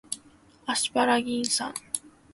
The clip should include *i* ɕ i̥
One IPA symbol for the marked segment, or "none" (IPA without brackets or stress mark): a